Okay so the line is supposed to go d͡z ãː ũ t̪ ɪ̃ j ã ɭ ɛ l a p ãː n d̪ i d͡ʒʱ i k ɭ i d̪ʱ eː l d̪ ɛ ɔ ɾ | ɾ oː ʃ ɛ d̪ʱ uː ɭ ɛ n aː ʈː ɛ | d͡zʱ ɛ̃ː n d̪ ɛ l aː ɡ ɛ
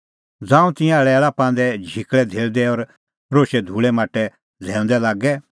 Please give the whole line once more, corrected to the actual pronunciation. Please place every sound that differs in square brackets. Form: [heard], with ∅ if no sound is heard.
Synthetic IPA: d͡z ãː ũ t̪ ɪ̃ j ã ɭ ɛ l a p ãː n d̪ [ɛ] d͡ʒʱ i k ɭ [ɛ] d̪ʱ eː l d̪ ɛ ɔ ɾ | ɾ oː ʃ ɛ d̪ʱ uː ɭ ɛ [m] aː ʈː ɛ | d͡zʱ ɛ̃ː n d̪ ɛ l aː ɡ ɛ

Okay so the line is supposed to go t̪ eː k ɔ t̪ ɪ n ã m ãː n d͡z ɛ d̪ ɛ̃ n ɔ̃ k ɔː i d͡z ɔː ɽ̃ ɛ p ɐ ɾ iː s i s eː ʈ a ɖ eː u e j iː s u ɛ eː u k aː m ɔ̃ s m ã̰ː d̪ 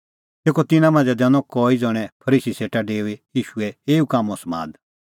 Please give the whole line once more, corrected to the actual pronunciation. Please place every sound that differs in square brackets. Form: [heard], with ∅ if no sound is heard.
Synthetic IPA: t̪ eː k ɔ t̪ ɪ n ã m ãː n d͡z ɛ d̪ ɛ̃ n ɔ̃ k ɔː i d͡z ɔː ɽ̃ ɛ [pʰ] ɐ ɾ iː s i s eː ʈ a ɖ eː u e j iː [ʃ] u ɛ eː u k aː m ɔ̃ s m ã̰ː d̪

